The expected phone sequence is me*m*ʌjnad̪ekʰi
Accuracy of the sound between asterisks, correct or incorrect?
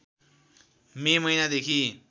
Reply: correct